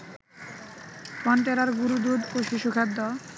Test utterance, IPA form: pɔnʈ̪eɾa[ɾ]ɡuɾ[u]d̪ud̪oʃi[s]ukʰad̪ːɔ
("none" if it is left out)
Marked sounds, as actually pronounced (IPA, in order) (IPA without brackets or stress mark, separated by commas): ɾ, u, ʃ